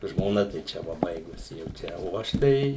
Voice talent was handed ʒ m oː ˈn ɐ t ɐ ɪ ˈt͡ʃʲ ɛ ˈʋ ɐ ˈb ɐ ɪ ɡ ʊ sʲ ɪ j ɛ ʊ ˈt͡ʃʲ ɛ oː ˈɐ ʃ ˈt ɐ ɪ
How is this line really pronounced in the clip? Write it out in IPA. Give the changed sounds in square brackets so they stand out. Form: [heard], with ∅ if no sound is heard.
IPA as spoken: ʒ m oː ˈn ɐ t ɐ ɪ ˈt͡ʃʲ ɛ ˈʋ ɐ ˈb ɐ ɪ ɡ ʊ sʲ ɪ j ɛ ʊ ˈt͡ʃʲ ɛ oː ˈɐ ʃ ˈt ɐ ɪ